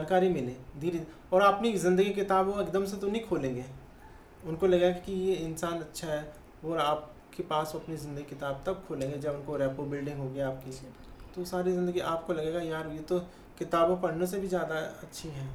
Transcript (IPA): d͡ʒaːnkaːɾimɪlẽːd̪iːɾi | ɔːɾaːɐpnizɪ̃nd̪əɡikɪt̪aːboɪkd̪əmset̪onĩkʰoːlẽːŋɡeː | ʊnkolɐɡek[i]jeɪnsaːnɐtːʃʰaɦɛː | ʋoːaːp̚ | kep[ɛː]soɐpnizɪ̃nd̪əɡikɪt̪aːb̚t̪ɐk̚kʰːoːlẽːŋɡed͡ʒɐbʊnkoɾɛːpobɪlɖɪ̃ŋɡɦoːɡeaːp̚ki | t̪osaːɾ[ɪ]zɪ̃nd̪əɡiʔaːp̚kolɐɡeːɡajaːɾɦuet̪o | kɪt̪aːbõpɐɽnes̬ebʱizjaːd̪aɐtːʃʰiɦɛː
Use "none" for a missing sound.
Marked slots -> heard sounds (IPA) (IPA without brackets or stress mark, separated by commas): i, aː, i